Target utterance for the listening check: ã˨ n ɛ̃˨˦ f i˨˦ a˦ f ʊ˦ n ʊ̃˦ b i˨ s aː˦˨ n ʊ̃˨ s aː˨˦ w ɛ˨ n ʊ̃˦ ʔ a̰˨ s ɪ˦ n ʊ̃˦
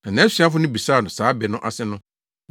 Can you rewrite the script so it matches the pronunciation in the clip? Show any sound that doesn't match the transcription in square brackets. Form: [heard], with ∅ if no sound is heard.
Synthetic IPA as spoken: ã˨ n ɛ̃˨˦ [s] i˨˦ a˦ f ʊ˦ n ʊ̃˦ b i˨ s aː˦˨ n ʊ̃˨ s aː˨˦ [b] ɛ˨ n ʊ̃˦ ʔ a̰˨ s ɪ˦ n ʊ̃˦